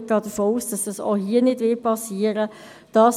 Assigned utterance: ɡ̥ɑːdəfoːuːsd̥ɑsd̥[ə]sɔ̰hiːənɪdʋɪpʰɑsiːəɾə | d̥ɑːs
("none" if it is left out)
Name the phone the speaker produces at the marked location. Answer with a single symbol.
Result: ɑ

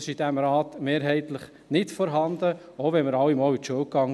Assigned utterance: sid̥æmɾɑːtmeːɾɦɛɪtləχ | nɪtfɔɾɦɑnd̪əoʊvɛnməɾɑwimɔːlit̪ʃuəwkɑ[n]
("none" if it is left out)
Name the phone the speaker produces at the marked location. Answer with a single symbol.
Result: ŋ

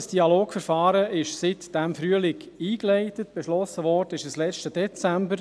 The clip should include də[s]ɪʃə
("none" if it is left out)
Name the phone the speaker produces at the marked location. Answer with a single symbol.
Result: none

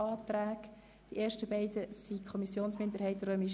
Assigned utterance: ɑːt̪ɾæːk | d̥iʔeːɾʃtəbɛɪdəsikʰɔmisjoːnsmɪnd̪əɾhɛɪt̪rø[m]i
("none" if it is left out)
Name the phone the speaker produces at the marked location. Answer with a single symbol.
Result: m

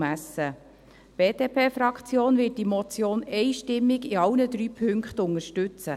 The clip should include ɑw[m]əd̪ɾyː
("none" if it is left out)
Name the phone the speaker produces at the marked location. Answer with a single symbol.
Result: n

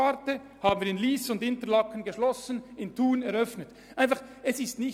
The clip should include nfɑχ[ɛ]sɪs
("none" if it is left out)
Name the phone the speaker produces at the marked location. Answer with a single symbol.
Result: ɛ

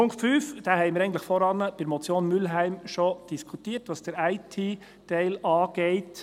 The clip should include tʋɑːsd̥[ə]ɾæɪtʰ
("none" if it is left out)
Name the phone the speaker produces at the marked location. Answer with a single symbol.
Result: ə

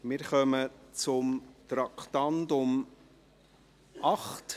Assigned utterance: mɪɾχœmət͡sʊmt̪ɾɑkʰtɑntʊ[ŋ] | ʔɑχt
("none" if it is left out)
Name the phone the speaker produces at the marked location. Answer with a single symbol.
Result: m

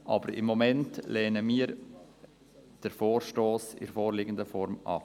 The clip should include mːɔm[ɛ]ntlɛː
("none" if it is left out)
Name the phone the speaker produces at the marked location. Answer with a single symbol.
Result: ɛ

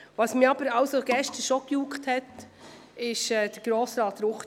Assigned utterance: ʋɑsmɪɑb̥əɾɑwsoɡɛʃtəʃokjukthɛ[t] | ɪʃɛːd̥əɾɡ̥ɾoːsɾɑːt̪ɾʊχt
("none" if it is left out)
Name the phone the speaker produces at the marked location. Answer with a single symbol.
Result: t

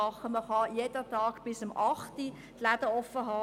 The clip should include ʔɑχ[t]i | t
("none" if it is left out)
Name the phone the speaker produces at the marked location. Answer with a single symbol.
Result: t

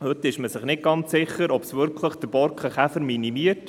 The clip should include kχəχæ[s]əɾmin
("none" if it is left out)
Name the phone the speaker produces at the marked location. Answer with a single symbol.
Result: f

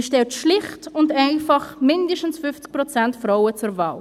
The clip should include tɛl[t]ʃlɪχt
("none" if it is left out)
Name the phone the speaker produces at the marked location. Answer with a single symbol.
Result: t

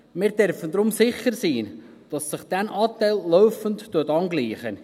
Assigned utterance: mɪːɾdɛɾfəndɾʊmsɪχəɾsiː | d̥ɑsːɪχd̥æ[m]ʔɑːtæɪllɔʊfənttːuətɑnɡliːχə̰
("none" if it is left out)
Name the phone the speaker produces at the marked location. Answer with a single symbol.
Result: n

